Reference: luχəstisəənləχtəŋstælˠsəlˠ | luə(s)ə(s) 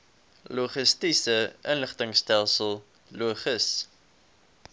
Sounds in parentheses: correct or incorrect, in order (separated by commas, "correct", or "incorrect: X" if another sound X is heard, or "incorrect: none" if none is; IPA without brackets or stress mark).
incorrect: χ, correct